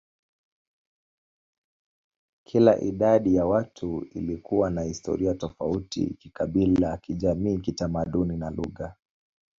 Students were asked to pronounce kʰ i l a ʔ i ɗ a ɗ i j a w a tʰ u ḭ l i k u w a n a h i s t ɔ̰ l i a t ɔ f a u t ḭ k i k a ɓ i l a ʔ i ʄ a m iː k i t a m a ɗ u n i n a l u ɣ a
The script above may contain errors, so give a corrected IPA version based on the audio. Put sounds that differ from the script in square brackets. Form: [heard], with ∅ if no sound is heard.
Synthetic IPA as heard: kʰ i l a ʔ i ɗ a ɗ i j a w a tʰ u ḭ l i k u w a n a h i s t ɔ̰ [ɾ] i a t ɔ f a u t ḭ k i k a ɓ i l a [k] i ʄ a m iː k i t a m a ɗ u n i n a l u ɣ a